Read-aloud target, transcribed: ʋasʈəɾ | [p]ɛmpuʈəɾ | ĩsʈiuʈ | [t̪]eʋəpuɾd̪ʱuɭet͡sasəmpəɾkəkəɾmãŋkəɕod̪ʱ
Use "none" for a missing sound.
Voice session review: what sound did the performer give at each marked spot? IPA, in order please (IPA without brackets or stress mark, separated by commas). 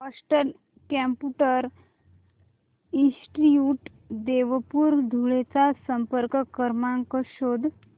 k, d̪